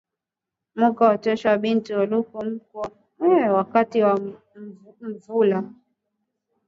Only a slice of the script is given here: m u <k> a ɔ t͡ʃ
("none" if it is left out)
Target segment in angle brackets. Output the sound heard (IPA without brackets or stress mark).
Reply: k